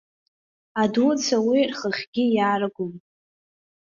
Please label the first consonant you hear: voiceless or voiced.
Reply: voiced